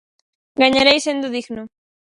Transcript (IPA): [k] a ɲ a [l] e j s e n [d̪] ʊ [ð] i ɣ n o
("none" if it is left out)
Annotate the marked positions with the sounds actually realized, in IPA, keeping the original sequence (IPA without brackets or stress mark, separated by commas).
ɡ, ɾ, d̪, ð